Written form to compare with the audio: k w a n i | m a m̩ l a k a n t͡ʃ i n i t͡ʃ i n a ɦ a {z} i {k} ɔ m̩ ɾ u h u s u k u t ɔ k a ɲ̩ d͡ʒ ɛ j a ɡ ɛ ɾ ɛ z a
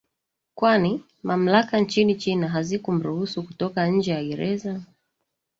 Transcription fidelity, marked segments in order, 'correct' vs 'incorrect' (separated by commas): correct, correct